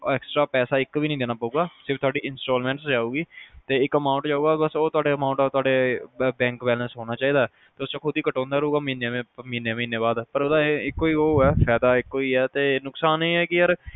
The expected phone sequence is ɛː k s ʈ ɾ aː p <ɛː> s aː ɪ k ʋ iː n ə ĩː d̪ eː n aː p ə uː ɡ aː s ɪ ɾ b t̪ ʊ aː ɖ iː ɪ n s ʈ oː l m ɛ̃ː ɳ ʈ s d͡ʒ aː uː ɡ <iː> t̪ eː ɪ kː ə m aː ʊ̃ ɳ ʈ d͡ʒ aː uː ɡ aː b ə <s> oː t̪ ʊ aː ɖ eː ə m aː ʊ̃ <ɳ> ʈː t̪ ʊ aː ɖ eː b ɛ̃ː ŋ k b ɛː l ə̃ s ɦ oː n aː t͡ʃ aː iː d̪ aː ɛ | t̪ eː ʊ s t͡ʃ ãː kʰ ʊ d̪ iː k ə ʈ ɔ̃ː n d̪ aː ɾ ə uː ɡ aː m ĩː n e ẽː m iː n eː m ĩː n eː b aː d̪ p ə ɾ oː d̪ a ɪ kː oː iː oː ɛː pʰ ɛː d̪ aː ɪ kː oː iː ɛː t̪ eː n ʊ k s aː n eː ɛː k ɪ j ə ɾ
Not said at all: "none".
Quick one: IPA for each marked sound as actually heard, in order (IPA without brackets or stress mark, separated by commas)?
ɛː, iː, s, ɳ